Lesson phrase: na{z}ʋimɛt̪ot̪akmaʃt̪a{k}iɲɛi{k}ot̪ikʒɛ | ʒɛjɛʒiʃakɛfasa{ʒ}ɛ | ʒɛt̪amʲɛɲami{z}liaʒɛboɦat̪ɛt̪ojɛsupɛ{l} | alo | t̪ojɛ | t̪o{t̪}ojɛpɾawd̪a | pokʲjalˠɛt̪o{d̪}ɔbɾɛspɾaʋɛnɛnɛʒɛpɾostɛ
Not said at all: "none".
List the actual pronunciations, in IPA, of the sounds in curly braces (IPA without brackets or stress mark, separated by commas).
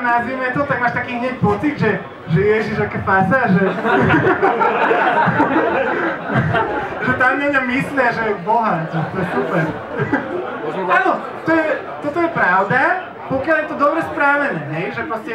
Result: z, k, p, ʒ, s, ɾ, t̪, d̪